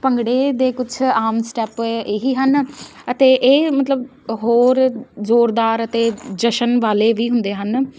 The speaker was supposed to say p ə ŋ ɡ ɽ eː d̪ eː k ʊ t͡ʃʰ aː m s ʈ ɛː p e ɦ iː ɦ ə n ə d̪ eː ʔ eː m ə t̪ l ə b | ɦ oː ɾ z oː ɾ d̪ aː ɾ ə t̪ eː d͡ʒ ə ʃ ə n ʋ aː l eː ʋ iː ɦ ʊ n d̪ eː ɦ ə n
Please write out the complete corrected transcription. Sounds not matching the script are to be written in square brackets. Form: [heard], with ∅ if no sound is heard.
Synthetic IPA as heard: p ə ŋ ɡ ɽ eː d̪ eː k ʊ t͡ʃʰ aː m s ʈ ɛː p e ɦ iː ɦ ə n ə [t̪] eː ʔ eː m ə t̪ l ə b | ɦ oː ɾ z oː ɾ d̪ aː ɾ ə t̪ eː d͡ʒ ə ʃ ə n ʋ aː l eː ʋ iː ɦ ʊ n d̪ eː ɦ ə n